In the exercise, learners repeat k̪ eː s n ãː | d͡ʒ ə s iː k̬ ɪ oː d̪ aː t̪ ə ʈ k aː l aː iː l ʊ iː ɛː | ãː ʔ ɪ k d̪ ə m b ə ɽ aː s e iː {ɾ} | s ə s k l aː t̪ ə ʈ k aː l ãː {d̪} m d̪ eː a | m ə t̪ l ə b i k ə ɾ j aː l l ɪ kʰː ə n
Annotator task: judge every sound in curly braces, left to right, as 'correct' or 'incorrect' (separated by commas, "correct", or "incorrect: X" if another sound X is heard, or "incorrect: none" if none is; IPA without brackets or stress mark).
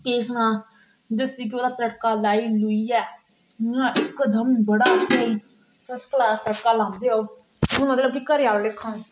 incorrect: none, incorrect: none